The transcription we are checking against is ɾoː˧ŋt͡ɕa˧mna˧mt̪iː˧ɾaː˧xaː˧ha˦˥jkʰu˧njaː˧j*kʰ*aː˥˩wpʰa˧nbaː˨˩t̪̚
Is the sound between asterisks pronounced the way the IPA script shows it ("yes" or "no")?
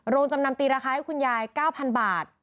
no